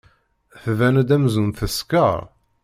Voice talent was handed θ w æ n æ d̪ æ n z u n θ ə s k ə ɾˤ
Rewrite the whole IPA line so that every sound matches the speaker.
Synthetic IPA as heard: θ v æ n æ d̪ æ m z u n θ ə s k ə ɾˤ